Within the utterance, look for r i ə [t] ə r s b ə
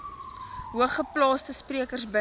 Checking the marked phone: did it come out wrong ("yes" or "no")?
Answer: yes